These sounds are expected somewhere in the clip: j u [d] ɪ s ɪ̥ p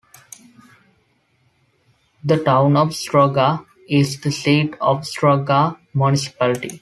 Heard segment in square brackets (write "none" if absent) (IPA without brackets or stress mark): n